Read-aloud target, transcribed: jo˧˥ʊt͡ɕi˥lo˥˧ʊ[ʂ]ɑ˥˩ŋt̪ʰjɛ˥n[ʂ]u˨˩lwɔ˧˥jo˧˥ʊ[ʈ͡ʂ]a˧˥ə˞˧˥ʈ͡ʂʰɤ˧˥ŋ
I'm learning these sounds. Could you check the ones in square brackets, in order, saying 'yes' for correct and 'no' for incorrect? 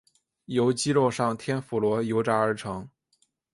yes, no, yes

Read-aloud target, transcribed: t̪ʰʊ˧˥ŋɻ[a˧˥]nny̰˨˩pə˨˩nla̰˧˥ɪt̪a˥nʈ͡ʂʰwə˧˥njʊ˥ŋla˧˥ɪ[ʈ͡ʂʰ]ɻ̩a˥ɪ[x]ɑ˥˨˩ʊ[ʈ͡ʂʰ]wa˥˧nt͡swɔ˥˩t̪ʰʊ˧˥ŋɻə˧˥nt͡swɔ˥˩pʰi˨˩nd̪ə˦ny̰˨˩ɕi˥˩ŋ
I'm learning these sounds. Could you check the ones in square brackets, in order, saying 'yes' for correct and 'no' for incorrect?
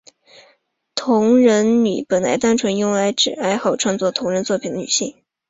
no, no, yes, yes

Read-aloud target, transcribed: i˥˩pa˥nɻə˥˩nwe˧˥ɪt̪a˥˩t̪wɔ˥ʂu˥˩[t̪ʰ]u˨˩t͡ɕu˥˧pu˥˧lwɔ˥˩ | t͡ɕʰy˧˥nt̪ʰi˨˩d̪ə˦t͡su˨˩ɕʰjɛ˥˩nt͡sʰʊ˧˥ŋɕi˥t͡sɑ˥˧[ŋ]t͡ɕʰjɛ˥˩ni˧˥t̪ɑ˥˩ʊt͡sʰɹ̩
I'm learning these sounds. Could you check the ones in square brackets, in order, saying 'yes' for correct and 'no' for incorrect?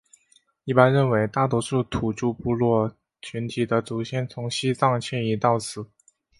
yes, yes

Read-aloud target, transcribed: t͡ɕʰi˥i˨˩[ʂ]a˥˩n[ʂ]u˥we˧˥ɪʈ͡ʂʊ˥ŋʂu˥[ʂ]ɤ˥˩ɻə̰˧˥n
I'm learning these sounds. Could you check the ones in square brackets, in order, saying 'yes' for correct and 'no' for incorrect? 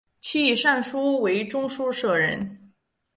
yes, yes, yes

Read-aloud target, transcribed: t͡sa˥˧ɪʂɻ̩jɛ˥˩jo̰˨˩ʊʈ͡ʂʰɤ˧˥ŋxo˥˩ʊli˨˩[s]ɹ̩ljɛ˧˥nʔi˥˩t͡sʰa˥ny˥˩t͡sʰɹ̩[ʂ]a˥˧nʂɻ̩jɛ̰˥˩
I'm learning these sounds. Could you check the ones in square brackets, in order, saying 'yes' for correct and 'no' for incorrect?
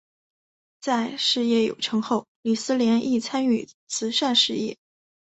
yes, yes

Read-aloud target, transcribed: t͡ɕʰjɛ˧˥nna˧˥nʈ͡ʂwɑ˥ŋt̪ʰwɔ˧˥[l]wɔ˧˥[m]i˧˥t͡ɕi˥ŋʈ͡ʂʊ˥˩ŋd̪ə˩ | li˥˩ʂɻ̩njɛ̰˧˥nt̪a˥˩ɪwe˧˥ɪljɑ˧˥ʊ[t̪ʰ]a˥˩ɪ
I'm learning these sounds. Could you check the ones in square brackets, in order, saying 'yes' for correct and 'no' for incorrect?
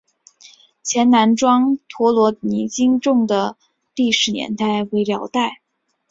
yes, no, no

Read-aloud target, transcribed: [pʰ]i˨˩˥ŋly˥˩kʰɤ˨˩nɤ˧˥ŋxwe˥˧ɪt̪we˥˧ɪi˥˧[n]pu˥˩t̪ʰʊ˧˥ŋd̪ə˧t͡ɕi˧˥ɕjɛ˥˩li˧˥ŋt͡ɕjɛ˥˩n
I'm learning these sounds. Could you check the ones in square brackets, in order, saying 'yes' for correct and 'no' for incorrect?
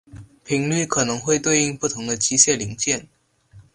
yes, no

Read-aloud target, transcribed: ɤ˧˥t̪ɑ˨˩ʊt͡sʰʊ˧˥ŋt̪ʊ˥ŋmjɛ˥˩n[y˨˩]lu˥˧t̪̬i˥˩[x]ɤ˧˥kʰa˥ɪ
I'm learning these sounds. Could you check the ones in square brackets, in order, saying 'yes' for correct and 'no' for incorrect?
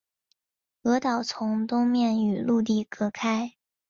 yes, no

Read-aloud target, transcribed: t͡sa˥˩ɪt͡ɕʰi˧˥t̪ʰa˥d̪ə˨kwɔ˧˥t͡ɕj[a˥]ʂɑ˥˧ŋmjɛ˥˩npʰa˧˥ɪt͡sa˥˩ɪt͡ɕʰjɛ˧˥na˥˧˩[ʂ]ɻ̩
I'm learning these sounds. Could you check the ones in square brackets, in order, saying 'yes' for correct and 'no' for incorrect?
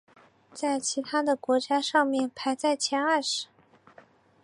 yes, yes

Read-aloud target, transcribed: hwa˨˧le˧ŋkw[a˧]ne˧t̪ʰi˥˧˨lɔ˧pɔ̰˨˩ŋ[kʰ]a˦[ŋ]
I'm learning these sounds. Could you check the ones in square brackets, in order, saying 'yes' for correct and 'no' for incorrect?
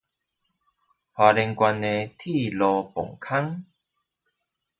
yes, yes, yes

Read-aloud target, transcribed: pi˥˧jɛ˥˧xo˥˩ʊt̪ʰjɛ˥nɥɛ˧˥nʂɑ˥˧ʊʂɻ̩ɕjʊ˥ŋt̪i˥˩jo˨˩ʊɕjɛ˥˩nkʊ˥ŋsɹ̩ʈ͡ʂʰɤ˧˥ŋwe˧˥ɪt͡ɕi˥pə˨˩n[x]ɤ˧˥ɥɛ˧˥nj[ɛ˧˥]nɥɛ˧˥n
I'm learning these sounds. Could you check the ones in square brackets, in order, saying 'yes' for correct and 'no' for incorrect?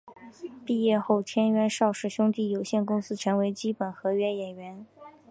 yes, no

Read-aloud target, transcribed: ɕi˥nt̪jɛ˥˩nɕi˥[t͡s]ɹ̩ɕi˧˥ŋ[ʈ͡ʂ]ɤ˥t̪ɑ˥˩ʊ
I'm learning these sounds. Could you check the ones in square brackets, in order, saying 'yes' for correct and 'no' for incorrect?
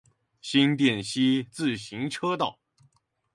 yes, no

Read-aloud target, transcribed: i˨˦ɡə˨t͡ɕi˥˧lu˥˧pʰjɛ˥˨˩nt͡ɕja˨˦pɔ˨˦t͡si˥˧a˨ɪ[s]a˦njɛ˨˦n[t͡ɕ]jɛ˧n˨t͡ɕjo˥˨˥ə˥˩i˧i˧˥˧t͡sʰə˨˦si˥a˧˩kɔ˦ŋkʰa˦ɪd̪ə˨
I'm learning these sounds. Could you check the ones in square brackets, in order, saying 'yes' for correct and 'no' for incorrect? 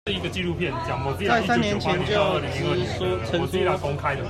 yes, no

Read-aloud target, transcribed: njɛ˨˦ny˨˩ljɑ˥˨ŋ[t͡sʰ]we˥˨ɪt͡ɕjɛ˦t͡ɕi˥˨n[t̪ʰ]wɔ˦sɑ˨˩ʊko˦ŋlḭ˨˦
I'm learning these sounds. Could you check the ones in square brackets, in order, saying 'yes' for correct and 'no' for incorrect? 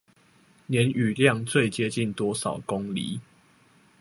no, no

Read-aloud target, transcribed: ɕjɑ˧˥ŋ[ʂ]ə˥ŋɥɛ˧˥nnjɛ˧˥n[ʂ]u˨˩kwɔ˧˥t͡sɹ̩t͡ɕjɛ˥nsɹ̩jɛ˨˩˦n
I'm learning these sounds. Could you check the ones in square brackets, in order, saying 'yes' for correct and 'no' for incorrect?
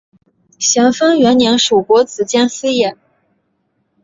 no, yes

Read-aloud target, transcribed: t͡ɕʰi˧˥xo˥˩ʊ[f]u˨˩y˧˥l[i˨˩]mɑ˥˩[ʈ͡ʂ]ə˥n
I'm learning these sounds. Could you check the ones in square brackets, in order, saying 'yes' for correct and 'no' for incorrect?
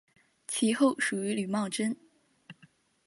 no, no, yes

